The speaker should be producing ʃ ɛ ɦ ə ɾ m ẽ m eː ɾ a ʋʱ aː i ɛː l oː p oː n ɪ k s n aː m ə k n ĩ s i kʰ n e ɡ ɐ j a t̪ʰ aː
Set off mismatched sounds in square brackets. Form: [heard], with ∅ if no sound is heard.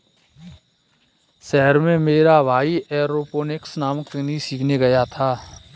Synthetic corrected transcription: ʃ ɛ ɦ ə ɾ m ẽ m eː ɾ a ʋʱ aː i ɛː [ɾ] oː p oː n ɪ k s n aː m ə k n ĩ s [iː] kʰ n e ɡ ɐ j a t̪ʰ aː